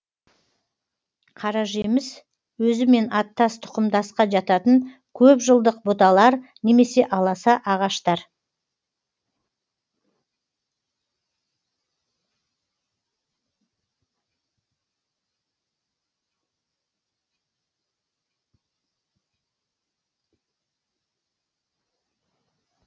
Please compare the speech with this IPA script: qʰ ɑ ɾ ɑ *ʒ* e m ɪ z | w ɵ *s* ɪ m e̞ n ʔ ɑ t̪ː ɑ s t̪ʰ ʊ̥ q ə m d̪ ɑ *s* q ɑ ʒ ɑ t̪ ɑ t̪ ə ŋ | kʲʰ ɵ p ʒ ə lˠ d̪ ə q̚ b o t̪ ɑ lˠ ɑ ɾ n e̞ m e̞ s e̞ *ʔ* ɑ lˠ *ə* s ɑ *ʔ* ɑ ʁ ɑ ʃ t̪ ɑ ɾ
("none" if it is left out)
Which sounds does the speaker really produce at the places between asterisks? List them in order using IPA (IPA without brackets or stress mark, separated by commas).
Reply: ʒ, z, s, ʔ, ɑ, ʔ